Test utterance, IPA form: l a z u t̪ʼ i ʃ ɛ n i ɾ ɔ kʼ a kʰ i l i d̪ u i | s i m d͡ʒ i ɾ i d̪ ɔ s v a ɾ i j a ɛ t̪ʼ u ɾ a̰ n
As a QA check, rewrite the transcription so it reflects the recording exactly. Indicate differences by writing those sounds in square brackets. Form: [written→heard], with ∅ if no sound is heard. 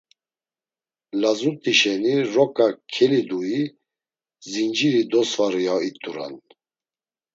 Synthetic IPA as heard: l a z u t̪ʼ i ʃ ɛ n i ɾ ɔ kʼ a kʰ [i→ɛ] l i d̪ u i | [s→z] i [m→n] d͡ʒ i ɾ i d̪ ɔ s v a ɾ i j a [ɛ→i] t̪ʼ u ɾ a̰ n

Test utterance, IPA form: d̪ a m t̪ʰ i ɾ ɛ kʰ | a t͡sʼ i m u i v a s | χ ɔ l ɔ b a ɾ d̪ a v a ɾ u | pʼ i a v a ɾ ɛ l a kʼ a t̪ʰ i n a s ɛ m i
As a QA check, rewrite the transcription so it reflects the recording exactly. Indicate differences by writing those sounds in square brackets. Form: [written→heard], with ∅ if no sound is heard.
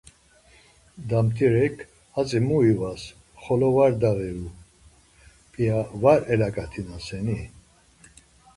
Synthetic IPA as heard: d̪ a m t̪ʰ i ɾ ɛ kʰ | a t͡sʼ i m u i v a s | χ ɔ l ɔ [b→v] a ɾ d̪ a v [a→ɛ] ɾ u | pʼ i a v a ɾ ɛ l a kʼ a t̪ʰ i n a s ɛ [m→n] i

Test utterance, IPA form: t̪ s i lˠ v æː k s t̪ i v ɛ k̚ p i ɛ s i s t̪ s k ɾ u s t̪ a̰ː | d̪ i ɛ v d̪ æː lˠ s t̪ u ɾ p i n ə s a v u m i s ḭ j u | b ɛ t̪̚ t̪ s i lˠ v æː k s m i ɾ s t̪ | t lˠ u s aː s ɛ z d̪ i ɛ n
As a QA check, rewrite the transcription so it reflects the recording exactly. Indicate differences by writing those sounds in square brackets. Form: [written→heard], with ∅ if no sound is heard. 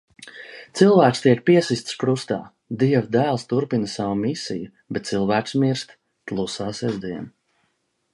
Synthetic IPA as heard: t̪ s i lˠ v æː k s t̪ i [v→∅] ɛ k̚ p i ɛ s i s t̪ s k ɾ u s t̪ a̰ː | d̪ i ɛ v d̪ æː lˠ s t̪ u ɾ p i n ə s a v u m i s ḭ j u | b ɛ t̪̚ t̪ s i lˠ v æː k s m i ɾ s t̪ | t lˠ u s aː s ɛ z d̪ i ɛ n

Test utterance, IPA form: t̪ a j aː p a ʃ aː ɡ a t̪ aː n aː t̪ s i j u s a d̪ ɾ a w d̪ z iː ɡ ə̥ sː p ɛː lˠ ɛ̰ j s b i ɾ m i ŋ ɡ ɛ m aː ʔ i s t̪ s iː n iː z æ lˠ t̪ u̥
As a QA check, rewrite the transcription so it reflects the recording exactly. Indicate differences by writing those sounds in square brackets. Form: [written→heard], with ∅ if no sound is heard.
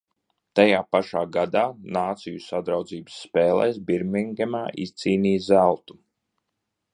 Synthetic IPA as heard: t̪ a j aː p a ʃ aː ɡ a [t̪→d̪] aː n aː t̪ s i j u s a d̪ ɾ a w d̪ z iː [ɡ→b] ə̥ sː p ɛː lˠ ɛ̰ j s b i ɾ m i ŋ ɡ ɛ m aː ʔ i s t̪ s iː n iː z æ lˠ t̪ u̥

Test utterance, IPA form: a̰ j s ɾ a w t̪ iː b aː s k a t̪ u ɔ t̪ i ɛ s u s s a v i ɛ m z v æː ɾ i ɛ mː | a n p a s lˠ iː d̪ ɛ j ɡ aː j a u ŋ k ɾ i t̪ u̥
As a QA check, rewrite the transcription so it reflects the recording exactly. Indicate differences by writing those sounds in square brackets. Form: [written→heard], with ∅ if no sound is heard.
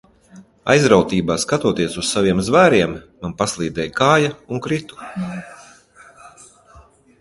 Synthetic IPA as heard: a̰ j [s→z] ɾ a w t̪ iː b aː s k a t̪ u ɔ t̪ i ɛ s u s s a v i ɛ m z v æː ɾ i ɛ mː | a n p a s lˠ iː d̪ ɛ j [ɡ→k] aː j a u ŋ k ɾ i t̪ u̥

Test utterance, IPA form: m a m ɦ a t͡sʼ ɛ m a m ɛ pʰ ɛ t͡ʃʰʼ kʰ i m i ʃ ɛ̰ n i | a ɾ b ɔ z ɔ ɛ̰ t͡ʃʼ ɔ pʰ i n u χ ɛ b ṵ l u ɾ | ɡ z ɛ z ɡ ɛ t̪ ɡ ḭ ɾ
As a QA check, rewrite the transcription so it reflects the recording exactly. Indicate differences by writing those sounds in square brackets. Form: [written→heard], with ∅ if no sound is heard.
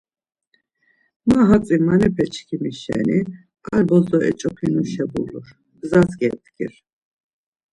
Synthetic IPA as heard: m a [m→∅] ɦ a t͡sʼ [ɛ→i] m a [m→n] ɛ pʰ ɛ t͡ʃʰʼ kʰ i m i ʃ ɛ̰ n i | a ɾ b ɔ z ɔ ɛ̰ t͡ʃʼ ɔ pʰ i n u [χ→ʃ] ɛ b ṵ l u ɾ | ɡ z [ɛ→a] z ɡ ɛ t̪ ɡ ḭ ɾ

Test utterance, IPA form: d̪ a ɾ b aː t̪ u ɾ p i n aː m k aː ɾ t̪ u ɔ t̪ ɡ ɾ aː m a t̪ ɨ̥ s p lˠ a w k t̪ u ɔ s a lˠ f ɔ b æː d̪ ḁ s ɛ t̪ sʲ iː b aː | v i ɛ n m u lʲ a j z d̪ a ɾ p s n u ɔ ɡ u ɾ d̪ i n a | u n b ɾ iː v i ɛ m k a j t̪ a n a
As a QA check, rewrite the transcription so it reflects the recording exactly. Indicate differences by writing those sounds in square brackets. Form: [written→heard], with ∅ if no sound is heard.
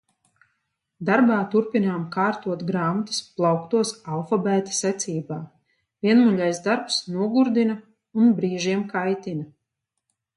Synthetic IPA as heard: d̪ a ɾ b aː t̪ u ɾ p i n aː m k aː ɾ t̪ u ɔ t̪ ɡ ɾ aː m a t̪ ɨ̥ s p lˠ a w k t̪ u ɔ s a lˠ f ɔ b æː [d̪→t̪] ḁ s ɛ t̪ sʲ iː b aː | v i ɛ n m u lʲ a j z d̪ a ɾ p s n u ɔ ɡ u ɾ d̪ i n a | u n b ɾ iː [v→ʒ] i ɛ m k a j t̪ [a→i] n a

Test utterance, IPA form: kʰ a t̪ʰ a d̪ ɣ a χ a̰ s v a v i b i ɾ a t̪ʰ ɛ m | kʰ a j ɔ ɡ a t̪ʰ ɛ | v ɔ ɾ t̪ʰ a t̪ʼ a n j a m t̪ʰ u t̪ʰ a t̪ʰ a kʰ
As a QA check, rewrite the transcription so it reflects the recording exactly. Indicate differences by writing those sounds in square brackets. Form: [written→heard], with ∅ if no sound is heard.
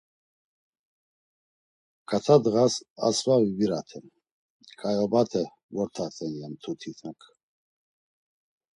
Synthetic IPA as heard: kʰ a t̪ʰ a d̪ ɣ a [χ→s] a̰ s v a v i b i ɾ a t̪ʰ ɛ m | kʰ a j ɔ [ɡ→b] a t̪ʰ ɛ | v ɔ ɾ t̪ʰ a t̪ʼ [a→ɛ] n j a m t̪ʰ u t̪ʰ [a→i] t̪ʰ a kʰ

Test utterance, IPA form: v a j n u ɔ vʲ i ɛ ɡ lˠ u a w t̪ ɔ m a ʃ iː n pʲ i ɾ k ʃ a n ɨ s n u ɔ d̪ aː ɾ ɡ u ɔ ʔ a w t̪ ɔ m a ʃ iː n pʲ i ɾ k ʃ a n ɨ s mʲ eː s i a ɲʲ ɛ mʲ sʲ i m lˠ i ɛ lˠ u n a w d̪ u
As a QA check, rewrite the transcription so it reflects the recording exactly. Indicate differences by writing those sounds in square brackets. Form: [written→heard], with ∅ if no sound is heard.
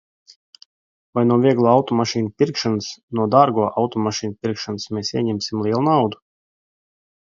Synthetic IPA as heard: v a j n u ɔ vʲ i ɛ ɡ lˠ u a w t̪ ɔ m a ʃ iː n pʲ i ɾ k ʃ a n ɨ s n u ɔ d̪ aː ɾ ɡ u ɔ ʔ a w t̪ ɔ m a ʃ iː n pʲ i ɾ k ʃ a n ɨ s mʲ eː s i [a→ɛ] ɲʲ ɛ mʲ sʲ i m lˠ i ɛ lˠ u n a w d̪ u

